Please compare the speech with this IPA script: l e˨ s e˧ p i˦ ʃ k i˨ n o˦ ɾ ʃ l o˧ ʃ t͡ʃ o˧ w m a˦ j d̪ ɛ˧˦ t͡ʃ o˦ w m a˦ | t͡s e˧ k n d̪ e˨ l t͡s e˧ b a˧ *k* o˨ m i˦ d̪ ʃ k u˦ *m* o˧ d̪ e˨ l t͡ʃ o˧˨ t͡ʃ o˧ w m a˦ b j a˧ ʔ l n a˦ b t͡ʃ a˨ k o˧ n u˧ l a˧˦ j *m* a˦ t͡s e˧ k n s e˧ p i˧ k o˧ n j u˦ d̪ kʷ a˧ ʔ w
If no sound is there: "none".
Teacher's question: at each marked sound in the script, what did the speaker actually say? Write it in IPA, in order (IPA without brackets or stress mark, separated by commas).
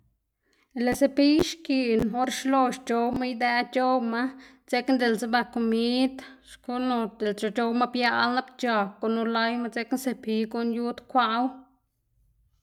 k, n, m